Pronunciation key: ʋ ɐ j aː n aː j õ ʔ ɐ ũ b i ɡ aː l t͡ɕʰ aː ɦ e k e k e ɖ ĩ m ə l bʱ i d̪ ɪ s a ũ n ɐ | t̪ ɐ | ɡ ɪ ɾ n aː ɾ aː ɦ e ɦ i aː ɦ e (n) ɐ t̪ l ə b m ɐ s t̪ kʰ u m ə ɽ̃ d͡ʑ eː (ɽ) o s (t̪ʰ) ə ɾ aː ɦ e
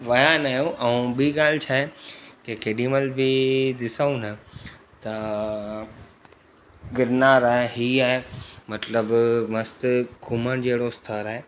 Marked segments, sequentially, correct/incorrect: incorrect: m, correct, correct

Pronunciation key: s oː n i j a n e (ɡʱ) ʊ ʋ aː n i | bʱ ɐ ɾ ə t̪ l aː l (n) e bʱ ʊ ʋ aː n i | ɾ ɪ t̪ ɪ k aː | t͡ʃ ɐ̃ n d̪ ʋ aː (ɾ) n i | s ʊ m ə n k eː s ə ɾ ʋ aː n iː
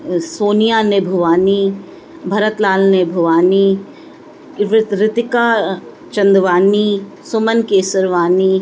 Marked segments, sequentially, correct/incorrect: incorrect: bʱ, correct, incorrect: none

